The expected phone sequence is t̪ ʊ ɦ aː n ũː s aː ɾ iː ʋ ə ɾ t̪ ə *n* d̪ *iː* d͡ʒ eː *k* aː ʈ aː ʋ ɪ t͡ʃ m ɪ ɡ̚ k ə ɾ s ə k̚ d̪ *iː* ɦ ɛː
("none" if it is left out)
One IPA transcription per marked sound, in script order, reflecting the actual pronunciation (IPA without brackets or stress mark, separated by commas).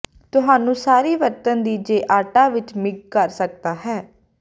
n, iː, ʔ, aː